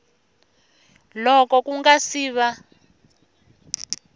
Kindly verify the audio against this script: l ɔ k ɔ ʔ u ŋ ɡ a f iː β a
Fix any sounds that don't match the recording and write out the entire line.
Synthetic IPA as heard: l ɔ k ɔ k u ŋ ɡ a s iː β a